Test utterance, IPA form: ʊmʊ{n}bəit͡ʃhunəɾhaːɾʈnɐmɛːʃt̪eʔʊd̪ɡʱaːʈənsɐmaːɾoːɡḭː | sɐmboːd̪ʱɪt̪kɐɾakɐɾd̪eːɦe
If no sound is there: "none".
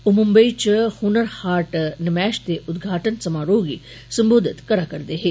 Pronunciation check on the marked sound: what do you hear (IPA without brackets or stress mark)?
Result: m